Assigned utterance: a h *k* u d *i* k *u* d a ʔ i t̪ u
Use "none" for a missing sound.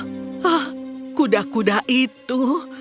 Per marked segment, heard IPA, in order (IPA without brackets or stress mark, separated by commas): k, a, u